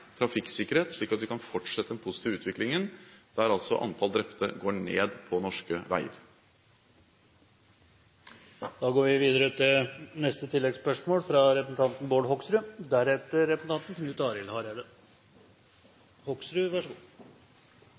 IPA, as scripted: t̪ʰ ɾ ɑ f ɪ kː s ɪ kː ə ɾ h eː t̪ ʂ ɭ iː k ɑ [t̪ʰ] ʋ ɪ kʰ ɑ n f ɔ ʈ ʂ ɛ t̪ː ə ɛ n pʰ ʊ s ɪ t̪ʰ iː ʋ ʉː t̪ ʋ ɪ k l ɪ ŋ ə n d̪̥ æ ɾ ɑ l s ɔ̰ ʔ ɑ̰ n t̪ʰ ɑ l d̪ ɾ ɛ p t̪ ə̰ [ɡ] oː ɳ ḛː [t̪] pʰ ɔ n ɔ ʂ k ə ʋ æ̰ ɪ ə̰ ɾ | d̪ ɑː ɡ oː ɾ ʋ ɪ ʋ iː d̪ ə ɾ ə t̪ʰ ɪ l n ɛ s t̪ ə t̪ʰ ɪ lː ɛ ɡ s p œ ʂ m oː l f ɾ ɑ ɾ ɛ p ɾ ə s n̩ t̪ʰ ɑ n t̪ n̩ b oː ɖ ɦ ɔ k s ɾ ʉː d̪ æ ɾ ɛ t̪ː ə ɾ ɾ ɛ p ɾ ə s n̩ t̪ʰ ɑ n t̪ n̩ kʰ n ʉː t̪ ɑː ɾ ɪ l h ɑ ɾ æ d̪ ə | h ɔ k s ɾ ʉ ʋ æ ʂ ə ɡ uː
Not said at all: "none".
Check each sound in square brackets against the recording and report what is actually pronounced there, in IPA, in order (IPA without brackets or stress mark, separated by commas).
t̪, ɡ, d̪